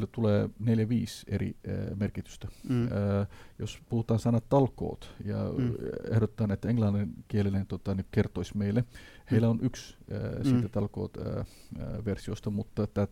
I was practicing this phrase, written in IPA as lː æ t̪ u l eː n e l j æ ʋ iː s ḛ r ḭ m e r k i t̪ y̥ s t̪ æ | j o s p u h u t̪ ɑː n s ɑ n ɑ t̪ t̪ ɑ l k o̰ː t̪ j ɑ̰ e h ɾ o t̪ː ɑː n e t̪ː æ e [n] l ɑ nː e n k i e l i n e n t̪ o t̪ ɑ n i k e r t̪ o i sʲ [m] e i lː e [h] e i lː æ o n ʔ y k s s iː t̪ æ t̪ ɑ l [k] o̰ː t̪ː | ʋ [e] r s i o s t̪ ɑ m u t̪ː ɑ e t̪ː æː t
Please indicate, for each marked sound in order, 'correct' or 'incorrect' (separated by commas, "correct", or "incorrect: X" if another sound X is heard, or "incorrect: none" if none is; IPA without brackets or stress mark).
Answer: incorrect: ŋ, correct, correct, correct, correct